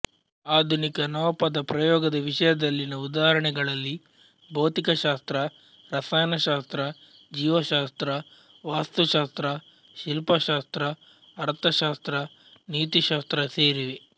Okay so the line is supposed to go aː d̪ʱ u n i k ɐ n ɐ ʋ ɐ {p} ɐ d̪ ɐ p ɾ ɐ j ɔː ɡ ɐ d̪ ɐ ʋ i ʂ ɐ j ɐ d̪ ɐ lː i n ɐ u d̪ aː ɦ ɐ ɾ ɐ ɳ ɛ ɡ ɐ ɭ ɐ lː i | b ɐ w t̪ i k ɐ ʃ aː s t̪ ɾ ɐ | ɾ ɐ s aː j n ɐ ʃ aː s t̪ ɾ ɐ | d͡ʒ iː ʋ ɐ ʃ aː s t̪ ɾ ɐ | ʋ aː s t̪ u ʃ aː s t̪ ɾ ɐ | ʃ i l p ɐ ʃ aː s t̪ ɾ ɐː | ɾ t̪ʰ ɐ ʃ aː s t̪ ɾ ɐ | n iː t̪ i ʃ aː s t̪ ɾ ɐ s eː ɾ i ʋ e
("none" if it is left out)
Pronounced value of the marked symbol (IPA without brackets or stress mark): p